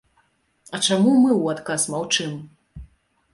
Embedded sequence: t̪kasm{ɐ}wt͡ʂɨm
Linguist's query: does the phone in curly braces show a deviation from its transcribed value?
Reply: yes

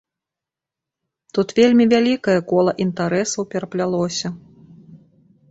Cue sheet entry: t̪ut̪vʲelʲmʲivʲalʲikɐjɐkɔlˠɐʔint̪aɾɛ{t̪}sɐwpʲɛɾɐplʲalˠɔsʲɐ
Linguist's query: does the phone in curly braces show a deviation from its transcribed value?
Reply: yes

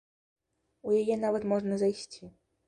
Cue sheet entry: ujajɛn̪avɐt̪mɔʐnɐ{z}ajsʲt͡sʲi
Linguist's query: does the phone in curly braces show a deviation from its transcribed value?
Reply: no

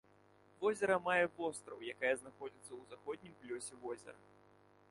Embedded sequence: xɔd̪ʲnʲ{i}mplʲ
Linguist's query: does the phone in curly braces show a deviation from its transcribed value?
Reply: no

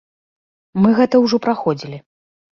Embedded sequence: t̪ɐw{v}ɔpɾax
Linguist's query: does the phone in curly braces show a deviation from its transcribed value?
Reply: yes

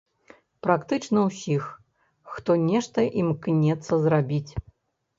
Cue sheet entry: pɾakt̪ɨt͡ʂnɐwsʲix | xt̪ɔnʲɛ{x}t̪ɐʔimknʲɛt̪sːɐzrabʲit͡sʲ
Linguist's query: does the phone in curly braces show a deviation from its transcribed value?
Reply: yes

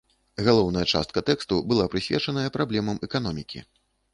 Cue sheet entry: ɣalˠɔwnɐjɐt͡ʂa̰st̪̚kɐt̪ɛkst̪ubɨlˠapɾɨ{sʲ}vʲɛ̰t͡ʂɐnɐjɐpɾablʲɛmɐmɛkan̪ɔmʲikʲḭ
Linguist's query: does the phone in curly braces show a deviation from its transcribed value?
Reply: no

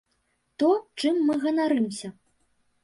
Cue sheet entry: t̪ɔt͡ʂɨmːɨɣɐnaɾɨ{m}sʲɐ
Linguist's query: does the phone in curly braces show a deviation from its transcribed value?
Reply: no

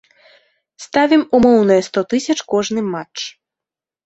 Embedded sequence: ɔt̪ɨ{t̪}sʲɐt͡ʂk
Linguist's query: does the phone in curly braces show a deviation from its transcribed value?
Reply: yes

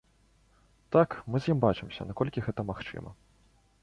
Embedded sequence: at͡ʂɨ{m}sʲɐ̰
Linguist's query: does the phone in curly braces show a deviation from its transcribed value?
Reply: no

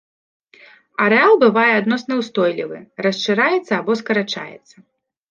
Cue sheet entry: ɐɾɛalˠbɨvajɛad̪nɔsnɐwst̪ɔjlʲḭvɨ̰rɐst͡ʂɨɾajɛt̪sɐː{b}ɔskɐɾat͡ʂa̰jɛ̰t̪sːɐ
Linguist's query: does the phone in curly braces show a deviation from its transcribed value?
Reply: no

